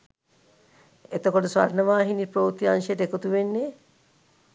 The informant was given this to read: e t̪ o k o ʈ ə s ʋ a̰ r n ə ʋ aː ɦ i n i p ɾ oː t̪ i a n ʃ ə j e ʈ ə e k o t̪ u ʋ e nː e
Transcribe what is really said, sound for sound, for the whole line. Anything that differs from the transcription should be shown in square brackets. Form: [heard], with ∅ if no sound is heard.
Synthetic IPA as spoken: e t̪ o k o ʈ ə s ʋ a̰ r n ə ʋ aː ɦ i n i p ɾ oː t̪ i a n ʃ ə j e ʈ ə e k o t̪ u ʋ e nː e